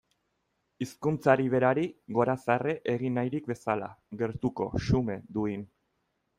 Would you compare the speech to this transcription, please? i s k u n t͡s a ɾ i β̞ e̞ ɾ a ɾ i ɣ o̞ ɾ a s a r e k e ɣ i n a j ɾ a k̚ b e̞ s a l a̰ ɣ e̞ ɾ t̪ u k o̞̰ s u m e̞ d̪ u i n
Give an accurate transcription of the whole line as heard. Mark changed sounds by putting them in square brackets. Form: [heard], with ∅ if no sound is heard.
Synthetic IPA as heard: i s k u n t͡s a ɾ i β̞ e̞ ɾ a ɾ i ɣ o̞ ɾ a s a r e [ʔ] e ɣ i n a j ɾ [i] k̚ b e̞ s a l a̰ ɣ e̞ ɾ t̪ u k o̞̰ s u m e̞ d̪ u i n